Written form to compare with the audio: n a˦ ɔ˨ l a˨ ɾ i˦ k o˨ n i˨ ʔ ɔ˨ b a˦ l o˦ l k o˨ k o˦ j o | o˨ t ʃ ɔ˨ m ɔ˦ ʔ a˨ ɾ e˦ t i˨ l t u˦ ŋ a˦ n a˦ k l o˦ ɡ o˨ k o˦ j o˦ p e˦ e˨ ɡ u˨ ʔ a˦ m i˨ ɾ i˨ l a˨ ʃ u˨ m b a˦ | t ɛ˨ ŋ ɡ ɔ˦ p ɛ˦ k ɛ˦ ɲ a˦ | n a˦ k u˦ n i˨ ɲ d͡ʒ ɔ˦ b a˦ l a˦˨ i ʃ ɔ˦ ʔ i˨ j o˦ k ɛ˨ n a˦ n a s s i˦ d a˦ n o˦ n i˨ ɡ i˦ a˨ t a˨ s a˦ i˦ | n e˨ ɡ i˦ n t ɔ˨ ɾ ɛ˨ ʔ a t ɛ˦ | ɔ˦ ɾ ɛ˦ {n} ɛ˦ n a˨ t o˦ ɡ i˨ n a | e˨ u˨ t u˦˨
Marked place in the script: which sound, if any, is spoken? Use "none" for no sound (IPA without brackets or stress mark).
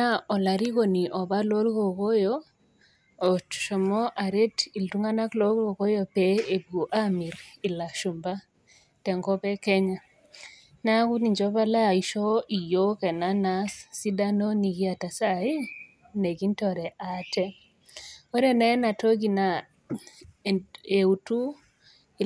n